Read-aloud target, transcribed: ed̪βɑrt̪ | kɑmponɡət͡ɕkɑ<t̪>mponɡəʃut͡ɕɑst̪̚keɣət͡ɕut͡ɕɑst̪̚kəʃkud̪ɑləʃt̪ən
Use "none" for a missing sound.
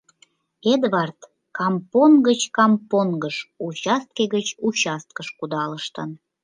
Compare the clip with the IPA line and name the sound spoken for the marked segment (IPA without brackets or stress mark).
none